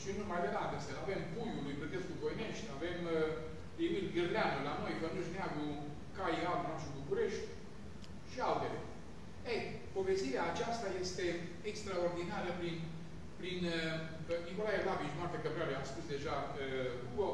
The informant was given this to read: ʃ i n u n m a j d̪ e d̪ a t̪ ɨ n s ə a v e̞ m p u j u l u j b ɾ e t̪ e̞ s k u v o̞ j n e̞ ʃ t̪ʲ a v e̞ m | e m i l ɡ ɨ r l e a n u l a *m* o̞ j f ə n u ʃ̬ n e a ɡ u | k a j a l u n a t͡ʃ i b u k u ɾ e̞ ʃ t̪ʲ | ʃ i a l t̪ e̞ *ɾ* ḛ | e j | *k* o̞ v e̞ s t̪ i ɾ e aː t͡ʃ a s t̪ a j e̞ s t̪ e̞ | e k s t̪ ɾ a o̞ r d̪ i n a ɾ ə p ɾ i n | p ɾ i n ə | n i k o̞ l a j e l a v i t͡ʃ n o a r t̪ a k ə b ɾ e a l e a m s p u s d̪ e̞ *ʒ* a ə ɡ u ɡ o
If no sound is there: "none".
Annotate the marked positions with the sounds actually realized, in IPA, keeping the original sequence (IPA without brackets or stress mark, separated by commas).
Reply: n, l, p, ʒ